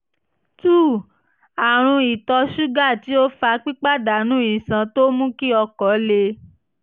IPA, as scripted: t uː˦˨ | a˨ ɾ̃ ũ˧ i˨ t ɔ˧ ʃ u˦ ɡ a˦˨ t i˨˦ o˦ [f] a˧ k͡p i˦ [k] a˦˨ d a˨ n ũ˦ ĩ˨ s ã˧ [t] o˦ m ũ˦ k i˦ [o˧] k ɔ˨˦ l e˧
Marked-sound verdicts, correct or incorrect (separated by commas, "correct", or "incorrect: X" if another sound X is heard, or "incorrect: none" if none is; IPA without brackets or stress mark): correct, incorrect: k͡p, correct, incorrect: ɔ˧